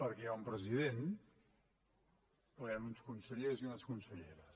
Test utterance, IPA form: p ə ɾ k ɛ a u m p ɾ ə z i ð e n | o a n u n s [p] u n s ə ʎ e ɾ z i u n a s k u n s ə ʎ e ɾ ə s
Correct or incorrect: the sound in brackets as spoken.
incorrect: k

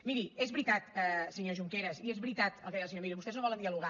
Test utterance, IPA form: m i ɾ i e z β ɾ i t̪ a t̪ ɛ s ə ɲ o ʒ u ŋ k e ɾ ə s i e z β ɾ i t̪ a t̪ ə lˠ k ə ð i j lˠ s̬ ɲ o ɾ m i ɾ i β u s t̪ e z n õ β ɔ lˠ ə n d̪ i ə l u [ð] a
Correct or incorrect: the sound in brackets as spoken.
incorrect: ɣ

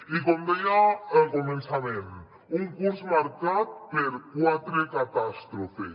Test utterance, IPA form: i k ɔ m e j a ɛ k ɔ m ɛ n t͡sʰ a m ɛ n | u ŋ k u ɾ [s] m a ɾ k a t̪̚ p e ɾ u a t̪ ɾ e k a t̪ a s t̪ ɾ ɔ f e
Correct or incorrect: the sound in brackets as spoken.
correct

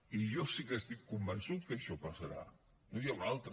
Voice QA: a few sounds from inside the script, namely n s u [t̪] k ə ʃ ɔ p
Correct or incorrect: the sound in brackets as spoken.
correct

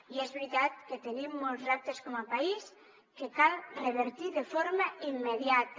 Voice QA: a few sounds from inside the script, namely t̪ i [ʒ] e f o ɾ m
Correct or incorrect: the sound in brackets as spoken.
incorrect: ð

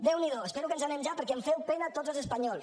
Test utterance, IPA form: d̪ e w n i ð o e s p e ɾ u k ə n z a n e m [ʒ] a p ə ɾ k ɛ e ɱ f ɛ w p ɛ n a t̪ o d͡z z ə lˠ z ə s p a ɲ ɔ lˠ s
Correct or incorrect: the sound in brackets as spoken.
correct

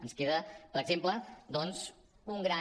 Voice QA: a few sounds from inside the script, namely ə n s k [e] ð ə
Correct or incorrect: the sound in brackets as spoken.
correct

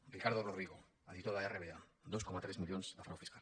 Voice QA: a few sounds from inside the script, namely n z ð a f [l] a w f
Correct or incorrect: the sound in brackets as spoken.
incorrect: ɾ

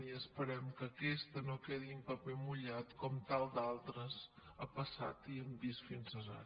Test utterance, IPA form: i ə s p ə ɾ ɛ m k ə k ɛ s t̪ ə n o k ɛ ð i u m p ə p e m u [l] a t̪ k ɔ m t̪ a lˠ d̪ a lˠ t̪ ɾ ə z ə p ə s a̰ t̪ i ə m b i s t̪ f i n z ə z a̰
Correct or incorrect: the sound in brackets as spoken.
incorrect: ʎ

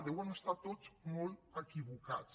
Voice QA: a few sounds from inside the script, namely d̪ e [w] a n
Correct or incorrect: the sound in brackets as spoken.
correct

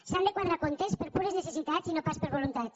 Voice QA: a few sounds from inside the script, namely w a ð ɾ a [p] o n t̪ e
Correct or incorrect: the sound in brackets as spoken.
incorrect: k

